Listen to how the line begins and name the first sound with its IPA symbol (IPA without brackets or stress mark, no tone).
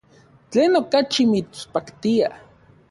t͡ɬ